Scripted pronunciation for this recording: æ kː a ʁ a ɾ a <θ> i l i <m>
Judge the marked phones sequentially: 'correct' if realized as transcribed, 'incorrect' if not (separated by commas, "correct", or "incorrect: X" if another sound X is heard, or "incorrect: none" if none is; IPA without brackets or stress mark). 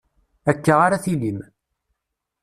correct, correct